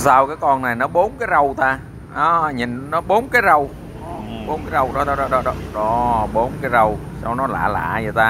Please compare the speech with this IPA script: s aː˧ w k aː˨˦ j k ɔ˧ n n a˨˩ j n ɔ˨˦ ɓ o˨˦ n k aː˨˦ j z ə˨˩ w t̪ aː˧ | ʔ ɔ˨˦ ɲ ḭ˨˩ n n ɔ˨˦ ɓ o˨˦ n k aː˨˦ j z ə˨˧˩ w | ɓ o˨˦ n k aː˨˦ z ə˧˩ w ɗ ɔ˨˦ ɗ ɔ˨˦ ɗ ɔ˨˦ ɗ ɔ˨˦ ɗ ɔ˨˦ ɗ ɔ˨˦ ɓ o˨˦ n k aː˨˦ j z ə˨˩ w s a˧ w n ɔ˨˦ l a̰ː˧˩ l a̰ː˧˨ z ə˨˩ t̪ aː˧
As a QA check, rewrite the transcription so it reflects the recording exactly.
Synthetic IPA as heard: s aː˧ w k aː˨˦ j k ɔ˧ n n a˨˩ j n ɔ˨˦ ɓ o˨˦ n k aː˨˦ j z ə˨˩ w t̪ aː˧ | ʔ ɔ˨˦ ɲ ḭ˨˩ n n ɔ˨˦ ɓ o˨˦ n k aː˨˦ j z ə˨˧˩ w | ɓ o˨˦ n k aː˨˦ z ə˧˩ w ɗ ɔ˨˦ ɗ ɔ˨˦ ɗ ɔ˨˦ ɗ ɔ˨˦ ɗ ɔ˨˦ ɗ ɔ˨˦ ɓ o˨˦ n k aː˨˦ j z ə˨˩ w s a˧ w n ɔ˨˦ l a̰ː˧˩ l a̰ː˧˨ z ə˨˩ t̪ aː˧